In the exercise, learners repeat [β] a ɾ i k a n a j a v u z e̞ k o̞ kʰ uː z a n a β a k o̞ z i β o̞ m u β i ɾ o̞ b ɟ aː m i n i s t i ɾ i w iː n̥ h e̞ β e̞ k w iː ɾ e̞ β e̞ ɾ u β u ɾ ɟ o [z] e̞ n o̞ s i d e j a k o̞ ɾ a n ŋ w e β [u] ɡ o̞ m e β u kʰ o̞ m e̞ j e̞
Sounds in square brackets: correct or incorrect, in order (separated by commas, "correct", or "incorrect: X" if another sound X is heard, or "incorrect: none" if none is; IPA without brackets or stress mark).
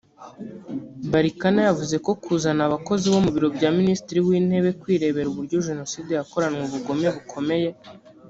incorrect: b, incorrect: ʒ, correct